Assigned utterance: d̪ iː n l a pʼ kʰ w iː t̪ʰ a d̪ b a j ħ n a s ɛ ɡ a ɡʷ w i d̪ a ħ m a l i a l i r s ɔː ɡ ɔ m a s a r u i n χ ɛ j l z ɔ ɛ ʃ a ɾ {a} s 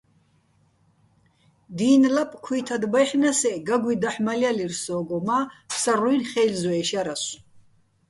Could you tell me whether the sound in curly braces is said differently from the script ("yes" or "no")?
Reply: no